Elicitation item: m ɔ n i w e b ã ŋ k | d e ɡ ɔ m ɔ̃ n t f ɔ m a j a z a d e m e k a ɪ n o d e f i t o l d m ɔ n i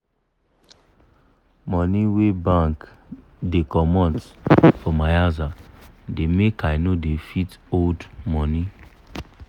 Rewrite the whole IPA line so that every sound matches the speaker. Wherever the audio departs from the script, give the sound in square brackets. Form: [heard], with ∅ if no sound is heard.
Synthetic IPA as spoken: m ɔ n i w e b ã ŋ k | d e [k] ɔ m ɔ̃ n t f ɔ m a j a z a d e m e k a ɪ n o d e f i t o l d m ɔ n i